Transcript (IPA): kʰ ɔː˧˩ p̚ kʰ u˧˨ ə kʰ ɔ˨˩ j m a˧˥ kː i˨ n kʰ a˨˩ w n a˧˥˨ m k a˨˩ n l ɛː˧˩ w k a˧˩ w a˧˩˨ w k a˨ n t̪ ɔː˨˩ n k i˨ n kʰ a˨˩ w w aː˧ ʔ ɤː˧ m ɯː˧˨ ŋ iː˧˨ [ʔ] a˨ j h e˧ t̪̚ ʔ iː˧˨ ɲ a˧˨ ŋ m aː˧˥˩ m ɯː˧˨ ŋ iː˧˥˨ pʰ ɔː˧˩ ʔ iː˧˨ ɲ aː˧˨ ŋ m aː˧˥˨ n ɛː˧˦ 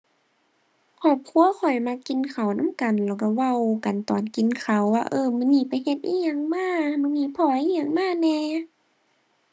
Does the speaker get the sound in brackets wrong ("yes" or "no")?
yes